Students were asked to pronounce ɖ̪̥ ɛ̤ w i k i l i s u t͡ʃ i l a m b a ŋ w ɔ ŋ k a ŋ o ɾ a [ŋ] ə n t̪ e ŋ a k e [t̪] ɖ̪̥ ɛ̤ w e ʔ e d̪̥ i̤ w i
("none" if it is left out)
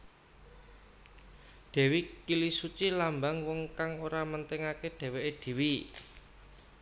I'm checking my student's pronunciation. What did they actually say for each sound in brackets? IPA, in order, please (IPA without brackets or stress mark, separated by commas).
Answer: m, none